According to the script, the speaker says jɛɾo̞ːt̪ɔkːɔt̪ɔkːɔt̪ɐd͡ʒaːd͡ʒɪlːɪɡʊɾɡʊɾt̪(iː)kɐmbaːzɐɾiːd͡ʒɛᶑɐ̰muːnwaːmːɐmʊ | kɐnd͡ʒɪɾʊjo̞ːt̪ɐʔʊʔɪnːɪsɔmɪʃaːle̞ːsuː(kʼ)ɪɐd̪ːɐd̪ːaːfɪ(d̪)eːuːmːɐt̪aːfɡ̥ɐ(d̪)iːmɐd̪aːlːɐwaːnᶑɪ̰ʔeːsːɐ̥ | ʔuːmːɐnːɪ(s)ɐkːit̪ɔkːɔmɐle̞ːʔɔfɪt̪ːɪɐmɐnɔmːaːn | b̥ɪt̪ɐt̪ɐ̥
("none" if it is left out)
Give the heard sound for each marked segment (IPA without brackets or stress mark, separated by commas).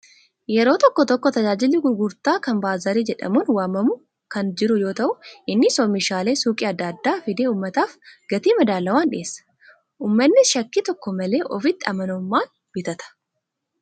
aː, kʼ, d̪, t̪, ʃ